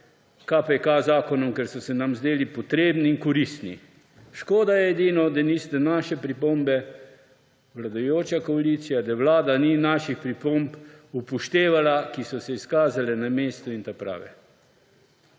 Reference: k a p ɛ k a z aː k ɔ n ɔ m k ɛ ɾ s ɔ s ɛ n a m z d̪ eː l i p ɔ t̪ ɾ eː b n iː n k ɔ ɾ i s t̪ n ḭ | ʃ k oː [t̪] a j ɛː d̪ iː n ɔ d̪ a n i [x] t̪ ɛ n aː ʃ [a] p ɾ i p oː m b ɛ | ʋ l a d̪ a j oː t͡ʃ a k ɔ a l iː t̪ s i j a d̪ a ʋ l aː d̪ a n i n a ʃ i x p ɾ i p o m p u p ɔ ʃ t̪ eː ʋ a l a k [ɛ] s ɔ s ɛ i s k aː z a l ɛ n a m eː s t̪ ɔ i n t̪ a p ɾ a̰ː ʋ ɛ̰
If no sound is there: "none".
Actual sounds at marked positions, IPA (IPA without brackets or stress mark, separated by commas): d̪, s, ɛ, i